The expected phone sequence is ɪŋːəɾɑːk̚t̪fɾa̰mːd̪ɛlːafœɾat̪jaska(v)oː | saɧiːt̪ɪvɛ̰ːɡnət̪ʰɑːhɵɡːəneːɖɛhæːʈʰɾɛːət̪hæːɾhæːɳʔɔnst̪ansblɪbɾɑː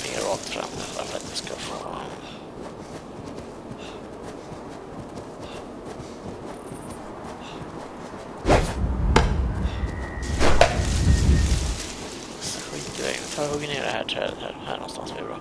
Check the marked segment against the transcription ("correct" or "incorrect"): incorrect